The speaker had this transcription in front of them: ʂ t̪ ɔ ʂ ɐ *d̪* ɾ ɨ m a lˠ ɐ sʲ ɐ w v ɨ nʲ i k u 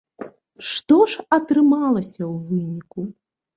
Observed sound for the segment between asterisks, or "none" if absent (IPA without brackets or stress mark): t̪